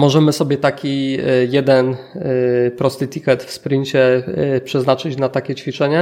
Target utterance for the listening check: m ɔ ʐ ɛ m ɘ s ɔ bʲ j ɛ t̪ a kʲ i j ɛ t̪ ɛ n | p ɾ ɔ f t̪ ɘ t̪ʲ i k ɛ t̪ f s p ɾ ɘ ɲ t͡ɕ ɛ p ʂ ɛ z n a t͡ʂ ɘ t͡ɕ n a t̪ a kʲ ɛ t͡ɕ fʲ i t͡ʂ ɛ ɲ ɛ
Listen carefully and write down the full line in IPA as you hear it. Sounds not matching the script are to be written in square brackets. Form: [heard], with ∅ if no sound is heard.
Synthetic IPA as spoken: m ɔ ʐ ɛ m ɘ s ɔ bʲ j ɛ t̪ a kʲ i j ɛ [d̪] ɛ n | p ɾ ɔ [s] t̪ ɘ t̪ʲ i k ɛ t̪ f s p ɾ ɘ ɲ t͡ɕ ɛ p ʂ ɛ z n a t͡ʂ ɘ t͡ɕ n a t̪ a kʲ ɛ t͡ɕ fʲ i t͡ʂ ɛ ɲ ɛ